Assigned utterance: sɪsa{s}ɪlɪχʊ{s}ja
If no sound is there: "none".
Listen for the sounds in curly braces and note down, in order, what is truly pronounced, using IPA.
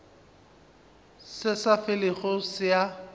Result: f, s

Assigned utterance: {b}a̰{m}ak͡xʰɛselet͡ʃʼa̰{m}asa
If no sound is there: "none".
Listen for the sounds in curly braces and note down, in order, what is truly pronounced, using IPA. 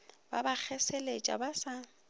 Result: b, b, b

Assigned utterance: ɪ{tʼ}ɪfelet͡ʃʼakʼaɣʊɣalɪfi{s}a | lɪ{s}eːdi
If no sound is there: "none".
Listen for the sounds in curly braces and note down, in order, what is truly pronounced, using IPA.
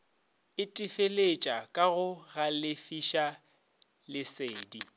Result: tʼ, ʃ, s

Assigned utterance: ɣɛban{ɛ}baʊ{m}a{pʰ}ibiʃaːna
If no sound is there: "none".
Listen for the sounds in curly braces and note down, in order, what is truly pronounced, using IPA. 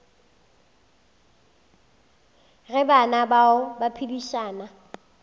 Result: a, b, pʰ

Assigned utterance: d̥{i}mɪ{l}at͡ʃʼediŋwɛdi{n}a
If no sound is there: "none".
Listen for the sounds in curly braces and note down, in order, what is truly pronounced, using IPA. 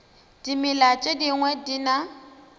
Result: i, l, n

